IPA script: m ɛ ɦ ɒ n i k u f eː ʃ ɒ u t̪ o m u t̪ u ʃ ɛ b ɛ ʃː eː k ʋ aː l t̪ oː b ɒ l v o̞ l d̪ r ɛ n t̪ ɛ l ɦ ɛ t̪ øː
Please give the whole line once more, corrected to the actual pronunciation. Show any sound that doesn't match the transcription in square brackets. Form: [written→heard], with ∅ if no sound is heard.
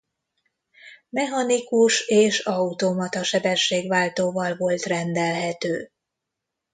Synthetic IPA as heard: m ɛ ɦ ɒ n i k u [f→ʃ] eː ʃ ɒ u t̪ o m [u→ɒ] t̪ [u→ɒ] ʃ ɛ b ɛ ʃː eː [k→ɡ] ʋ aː l t̪ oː [b→v] ɒ l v o̞ l [d̪→t̪] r ɛ n [t̪→d̪] ɛ l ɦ ɛ t̪ øː